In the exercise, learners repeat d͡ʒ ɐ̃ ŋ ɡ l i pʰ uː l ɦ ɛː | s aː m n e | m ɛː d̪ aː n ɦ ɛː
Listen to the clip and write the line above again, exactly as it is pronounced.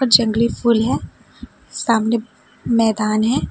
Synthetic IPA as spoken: d͡ʒ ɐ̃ ŋ ɡ l i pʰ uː l ɦ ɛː | s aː m n e | m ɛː d̪ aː n ɦ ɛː